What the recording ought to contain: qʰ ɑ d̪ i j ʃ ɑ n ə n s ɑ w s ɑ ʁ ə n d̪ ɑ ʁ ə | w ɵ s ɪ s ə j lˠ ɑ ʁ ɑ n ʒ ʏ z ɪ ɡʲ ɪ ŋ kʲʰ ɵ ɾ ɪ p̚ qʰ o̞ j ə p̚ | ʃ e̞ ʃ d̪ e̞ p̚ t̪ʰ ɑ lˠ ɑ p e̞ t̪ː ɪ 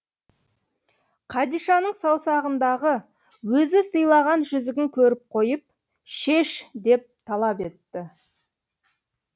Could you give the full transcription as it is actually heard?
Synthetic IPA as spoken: qʰ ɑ d̪ i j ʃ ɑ n ə ɴ s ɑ w s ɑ ʁ ə n d̪ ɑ ʁ ə | w ɵ z ɪ s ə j lˠ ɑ ʁ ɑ n ʒ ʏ z ɪ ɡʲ ɪ ŋ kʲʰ ɵ ɾ ɪ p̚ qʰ o̞ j ə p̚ | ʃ e̞ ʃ d̪ e̞ p̚ t̪ʰ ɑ lˠ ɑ p e̞ t̪ː ɪ